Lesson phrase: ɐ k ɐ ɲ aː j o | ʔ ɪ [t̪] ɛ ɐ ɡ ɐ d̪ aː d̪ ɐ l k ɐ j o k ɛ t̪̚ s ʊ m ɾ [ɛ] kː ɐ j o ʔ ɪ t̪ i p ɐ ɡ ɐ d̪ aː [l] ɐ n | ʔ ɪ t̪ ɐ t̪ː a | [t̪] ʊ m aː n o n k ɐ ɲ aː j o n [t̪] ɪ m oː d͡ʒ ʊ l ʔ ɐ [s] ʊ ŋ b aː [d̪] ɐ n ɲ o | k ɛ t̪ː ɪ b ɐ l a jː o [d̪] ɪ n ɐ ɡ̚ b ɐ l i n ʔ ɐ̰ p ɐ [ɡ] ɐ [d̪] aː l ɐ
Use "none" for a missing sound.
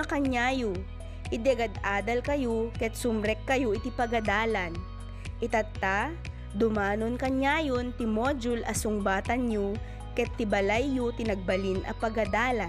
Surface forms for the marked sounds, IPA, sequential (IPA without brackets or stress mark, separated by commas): d̪, ɛ, l, d̪, t̪, s, t̪, t̪, ɡ, d̪